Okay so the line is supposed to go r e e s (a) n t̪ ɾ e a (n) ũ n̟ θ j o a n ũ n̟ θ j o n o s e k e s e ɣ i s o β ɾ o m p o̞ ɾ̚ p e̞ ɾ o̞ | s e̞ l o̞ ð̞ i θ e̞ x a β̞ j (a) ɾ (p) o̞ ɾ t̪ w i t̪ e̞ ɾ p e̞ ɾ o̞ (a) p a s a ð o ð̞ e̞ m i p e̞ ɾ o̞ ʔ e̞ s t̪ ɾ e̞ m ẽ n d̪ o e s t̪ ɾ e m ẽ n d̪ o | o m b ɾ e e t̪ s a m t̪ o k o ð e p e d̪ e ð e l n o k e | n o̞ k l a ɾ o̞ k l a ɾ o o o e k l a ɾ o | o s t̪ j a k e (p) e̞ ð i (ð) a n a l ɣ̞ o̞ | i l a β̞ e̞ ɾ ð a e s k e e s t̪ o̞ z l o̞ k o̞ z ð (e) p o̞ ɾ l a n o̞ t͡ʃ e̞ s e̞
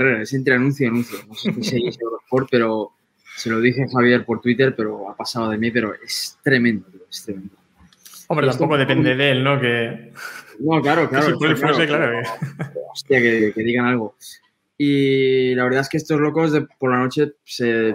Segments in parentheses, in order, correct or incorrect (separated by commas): incorrect, correct, incorrect, correct, correct, incorrect, incorrect, correct